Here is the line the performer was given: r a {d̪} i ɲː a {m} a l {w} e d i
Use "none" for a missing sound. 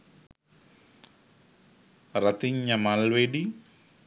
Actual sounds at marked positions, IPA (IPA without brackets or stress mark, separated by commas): t̪, m, w